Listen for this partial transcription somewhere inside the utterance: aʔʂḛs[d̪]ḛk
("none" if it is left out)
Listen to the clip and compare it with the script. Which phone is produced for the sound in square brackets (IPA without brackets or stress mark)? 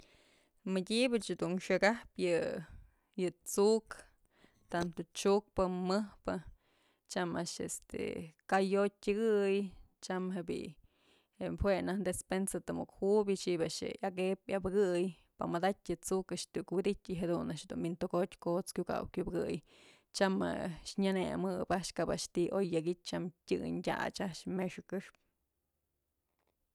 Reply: t̪